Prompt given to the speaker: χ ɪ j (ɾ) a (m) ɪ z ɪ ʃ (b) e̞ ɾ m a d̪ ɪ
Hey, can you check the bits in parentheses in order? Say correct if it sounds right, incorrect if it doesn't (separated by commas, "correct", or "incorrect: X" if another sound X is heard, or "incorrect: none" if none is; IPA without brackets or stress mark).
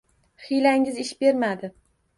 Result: incorrect: l, incorrect: ŋ, correct